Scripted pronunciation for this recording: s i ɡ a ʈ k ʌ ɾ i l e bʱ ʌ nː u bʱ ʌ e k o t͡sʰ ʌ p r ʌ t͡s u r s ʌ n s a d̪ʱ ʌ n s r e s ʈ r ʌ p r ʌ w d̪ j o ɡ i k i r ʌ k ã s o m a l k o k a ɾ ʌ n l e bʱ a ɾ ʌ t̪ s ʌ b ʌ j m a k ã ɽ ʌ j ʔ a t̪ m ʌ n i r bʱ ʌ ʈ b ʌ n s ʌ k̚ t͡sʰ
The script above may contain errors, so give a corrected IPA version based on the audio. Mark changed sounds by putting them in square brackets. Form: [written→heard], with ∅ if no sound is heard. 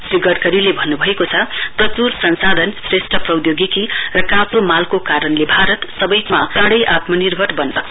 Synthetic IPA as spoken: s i ɡ [a→ʌ] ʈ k ʌ ɾ i l e bʱ ʌ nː u bʱ ʌ e k o t͡sʰ ʌ p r ʌ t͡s u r s ʌ n s a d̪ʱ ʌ n s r e s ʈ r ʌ p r ʌ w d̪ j o ɡ i k i r ʌ k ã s o m a l k o k a ɾ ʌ n l e bʱ a ɾ ʌ t̪ s ʌ b ʌ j m a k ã ɽ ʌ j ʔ a t̪ m ʌ n i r bʱ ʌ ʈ b ʌ n s ʌ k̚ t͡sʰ